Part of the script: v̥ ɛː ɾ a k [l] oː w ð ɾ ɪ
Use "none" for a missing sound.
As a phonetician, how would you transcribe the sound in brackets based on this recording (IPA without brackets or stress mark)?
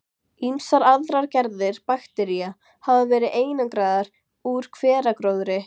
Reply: ɾ